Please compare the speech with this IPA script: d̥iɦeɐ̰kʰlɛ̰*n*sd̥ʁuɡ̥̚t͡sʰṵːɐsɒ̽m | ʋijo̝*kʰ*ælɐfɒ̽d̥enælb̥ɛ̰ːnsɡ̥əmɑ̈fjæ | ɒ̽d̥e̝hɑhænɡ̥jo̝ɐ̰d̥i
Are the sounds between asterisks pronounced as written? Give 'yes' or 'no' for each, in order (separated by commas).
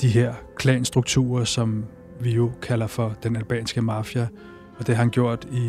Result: yes, yes